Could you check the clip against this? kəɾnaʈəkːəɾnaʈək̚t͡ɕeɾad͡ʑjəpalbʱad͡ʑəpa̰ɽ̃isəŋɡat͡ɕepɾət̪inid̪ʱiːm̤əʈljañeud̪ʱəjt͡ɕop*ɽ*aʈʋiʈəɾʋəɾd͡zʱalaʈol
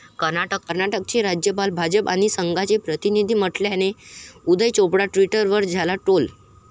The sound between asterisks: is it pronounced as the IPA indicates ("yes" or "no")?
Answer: yes